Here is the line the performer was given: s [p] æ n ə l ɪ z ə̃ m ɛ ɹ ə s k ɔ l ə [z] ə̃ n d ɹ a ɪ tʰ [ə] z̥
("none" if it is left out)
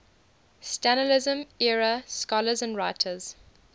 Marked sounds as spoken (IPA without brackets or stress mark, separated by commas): t, z, ə